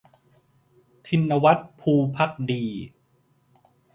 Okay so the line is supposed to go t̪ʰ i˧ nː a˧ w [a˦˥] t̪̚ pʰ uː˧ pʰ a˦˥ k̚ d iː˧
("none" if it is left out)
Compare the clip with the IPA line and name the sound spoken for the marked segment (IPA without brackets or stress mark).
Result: a˦˥